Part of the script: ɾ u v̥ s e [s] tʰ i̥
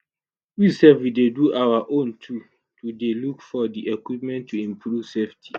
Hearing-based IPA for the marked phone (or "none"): f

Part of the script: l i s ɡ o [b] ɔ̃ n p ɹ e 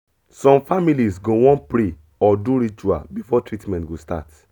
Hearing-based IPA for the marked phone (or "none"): w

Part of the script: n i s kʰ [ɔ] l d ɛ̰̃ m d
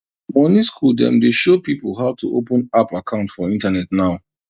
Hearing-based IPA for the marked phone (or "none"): u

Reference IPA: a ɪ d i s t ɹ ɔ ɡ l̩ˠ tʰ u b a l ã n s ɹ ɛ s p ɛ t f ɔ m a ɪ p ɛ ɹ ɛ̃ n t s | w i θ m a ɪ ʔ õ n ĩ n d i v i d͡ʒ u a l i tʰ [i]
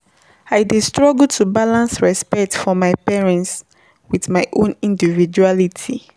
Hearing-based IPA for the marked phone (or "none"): i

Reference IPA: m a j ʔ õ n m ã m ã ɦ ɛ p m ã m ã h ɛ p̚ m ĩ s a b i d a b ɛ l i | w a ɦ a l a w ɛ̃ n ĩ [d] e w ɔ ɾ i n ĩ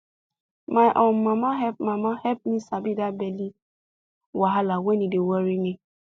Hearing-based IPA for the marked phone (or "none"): d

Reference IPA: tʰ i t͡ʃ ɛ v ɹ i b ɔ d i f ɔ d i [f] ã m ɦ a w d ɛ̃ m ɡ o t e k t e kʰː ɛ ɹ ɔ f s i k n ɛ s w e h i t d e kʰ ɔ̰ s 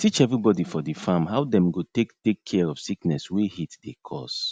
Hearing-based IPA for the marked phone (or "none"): f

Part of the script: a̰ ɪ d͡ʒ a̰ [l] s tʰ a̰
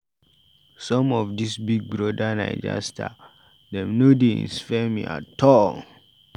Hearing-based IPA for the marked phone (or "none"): none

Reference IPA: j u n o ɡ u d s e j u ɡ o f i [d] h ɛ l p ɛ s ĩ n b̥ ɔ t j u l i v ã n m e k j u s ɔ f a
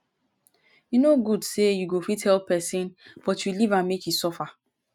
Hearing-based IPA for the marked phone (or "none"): t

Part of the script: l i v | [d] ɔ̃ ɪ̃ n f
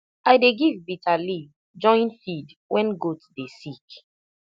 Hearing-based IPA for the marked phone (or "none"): d͡ʒ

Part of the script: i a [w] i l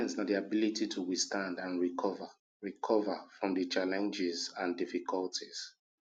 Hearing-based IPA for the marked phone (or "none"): b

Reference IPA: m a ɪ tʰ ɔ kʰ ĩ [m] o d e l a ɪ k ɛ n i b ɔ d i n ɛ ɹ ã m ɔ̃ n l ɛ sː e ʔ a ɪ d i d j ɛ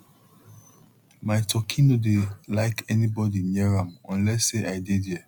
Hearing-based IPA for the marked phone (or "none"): n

